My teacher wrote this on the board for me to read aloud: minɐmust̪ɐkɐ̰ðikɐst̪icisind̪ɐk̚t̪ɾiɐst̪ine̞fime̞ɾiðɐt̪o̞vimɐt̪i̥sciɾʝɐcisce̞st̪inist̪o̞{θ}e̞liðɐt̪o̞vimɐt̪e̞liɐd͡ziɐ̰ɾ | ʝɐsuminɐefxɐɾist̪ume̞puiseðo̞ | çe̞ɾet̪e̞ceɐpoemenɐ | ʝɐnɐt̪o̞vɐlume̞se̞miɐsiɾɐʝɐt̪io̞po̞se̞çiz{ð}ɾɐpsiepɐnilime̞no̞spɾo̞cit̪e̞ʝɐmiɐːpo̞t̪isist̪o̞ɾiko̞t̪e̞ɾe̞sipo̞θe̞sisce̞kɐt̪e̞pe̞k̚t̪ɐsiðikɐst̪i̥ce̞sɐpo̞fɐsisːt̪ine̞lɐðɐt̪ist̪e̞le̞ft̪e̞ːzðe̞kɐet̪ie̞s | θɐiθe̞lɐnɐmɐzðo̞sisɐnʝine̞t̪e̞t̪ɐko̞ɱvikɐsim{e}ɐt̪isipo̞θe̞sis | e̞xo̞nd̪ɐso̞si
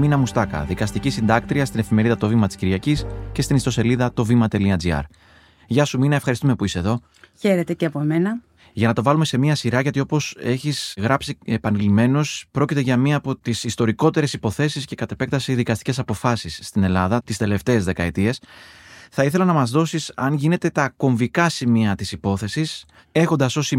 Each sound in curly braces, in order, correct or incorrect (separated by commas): incorrect, incorrect, incorrect